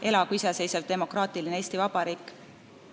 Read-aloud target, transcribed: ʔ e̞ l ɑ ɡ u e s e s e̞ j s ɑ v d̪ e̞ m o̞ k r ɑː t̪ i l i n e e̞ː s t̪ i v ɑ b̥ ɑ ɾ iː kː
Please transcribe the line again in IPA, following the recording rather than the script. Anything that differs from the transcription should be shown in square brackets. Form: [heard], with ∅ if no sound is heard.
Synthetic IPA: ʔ e̞ l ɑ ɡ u [i] s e s e̞ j s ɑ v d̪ e̞ m o̞ k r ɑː t̪ i l i n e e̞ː s t̪ i v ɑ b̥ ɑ ɾ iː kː